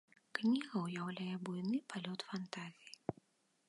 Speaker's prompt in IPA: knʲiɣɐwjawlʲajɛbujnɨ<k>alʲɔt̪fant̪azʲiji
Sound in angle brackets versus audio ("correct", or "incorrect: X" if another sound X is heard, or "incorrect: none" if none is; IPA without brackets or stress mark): incorrect: p